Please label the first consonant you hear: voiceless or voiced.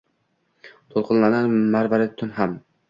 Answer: voiceless